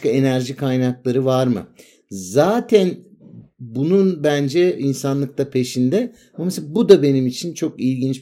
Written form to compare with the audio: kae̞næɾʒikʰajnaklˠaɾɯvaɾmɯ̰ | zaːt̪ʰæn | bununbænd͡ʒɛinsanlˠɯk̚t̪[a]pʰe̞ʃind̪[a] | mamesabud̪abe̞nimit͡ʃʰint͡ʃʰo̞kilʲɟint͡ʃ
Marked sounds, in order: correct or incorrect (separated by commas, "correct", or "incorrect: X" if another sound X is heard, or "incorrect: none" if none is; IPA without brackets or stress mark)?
correct, incorrect: ɛ